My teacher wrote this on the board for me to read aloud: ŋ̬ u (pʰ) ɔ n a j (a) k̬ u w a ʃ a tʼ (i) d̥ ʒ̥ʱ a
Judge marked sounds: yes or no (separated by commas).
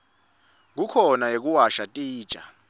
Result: no, no, no